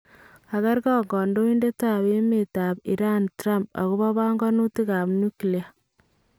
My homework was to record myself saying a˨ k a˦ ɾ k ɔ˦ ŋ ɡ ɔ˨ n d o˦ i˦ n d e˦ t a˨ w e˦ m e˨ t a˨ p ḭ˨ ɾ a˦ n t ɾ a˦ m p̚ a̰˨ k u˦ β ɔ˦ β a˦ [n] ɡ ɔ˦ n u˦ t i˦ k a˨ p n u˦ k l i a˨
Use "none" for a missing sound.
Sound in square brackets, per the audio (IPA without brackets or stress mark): ŋ